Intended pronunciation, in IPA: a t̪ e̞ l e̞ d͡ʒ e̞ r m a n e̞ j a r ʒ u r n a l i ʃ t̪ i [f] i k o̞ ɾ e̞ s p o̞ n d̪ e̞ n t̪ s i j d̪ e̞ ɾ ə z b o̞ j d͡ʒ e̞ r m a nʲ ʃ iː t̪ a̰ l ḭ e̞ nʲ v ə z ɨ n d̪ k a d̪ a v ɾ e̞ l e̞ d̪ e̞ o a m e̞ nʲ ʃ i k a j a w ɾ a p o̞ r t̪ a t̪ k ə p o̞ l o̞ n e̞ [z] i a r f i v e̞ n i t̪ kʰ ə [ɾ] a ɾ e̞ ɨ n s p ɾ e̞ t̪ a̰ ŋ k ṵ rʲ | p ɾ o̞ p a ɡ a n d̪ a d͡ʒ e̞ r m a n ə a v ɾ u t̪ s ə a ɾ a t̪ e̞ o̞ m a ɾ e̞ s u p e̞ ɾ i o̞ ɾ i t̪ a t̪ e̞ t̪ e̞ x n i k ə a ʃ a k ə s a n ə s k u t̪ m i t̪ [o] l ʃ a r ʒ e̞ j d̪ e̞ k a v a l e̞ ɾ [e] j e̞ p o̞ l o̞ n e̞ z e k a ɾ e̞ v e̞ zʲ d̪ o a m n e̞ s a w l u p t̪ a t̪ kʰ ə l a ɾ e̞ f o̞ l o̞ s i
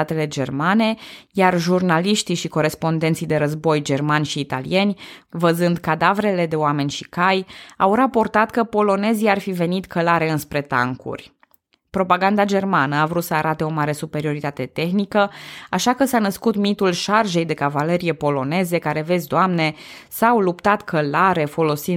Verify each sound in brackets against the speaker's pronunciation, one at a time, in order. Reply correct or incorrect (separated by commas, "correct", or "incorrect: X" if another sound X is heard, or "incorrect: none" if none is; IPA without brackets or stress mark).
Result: incorrect: ʃ, correct, incorrect: l, incorrect: u, incorrect: i